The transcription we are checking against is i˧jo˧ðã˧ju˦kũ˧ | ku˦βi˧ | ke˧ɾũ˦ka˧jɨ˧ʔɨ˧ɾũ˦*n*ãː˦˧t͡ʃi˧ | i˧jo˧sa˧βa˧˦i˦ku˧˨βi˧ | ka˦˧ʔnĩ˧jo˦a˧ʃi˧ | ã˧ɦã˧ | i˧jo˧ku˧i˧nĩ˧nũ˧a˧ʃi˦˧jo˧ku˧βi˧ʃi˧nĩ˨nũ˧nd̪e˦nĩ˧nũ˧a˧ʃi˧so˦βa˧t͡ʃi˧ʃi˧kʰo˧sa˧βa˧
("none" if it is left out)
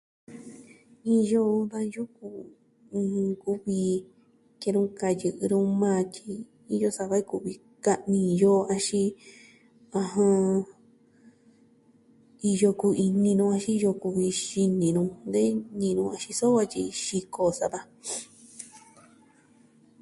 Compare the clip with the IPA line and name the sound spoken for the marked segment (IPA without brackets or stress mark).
m